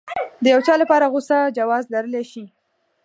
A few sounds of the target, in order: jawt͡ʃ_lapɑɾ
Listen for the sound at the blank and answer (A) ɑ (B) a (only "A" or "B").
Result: A